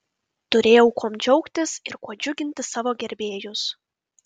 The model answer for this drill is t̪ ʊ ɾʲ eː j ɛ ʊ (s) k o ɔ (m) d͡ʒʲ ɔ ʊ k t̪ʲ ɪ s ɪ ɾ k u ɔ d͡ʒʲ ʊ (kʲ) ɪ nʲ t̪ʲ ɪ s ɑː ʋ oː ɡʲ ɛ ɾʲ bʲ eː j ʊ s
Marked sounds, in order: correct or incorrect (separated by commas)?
incorrect, correct, incorrect